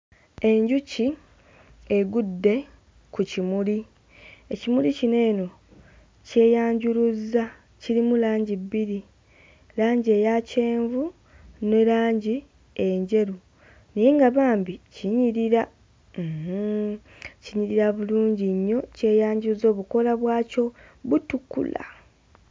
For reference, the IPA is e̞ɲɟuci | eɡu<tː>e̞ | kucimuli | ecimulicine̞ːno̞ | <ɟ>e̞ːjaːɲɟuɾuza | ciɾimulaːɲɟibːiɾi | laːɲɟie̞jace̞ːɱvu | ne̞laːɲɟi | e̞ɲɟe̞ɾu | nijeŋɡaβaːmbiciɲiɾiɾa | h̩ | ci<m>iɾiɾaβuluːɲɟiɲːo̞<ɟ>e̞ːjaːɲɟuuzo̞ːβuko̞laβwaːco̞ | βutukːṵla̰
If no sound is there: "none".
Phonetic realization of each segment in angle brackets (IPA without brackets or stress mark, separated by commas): dː, c, ɲ, c